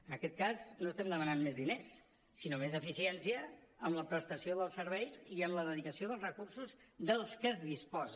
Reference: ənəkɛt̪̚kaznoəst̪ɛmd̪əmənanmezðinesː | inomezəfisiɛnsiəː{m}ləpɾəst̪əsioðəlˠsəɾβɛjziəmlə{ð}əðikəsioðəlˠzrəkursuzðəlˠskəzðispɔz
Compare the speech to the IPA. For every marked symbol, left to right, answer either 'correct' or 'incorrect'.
correct, correct

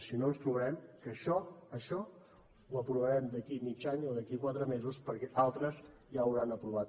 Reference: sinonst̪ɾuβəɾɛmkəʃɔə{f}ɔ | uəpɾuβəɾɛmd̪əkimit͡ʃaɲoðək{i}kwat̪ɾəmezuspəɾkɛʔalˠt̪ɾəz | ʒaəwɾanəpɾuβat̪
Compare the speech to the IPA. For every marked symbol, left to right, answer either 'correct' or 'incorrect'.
incorrect, correct

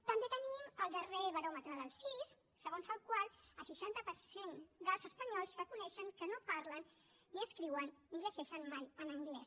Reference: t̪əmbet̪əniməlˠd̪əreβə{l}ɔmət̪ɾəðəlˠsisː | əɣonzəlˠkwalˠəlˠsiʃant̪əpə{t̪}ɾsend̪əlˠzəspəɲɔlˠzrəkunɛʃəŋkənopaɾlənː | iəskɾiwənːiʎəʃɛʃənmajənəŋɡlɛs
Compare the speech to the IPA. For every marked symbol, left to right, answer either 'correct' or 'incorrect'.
incorrect, incorrect

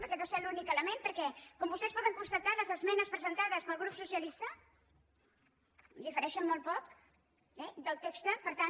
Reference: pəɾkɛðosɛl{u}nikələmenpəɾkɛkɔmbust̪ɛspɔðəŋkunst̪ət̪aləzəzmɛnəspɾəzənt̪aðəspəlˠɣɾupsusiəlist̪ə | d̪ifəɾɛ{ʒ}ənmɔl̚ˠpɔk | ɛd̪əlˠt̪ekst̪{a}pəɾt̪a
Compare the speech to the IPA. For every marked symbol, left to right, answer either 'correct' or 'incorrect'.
correct, incorrect, incorrect

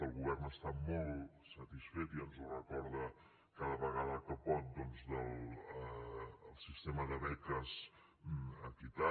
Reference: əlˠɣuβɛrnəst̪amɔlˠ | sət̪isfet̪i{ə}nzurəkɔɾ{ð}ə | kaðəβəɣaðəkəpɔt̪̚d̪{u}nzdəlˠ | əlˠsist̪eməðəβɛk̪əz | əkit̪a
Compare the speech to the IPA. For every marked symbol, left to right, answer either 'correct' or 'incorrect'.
correct, correct, incorrect

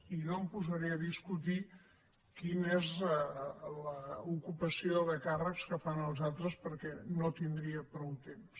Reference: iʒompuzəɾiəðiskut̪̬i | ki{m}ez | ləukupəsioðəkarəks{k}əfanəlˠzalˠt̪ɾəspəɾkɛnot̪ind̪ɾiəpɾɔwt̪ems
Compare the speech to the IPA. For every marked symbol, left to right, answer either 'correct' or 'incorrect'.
incorrect, correct

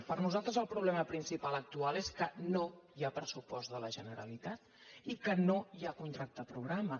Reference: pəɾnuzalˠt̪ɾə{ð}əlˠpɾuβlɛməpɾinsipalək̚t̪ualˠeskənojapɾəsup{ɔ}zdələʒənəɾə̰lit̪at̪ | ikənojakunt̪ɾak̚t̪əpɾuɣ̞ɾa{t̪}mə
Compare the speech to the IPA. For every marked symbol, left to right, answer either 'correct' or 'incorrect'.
incorrect, correct, incorrect

